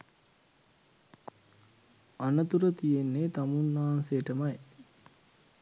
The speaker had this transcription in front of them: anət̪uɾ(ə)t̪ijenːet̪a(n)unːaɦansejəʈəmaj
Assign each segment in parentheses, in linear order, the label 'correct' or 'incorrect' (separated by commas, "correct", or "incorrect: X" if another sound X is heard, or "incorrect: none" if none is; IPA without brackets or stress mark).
correct, incorrect: m